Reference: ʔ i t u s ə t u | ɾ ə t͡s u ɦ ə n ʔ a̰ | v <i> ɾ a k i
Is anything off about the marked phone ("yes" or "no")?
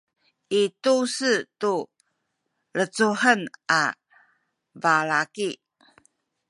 yes